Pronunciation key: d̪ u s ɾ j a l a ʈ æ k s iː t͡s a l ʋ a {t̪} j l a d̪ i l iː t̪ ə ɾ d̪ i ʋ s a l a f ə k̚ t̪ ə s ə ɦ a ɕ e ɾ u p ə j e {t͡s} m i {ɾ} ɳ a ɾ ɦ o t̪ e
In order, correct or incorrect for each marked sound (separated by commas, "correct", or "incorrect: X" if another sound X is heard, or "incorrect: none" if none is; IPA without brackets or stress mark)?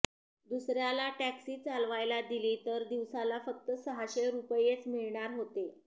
incorrect: none, correct, incorrect: ɭ